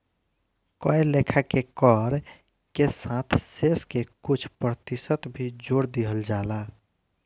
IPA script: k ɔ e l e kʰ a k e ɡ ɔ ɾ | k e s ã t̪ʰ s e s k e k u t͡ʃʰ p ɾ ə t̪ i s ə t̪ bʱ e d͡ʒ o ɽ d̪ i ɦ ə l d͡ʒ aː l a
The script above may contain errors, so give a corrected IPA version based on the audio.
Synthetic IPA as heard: k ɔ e l e kʰ a k e k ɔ ɾ | k e s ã t̪ʰ s e s k e k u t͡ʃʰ p ɾ ə t̪ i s ə t̪ bʱ i d͡ʒ o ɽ d̪ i ɦ ə l d͡ʒ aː l a